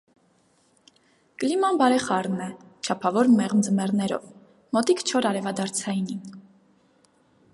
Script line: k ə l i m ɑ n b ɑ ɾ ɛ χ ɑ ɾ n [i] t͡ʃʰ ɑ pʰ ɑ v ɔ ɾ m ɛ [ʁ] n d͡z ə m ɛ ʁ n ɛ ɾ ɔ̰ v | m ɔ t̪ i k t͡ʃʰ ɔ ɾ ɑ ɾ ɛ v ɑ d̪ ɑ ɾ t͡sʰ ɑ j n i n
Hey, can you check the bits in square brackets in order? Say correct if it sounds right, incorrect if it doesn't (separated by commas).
incorrect, correct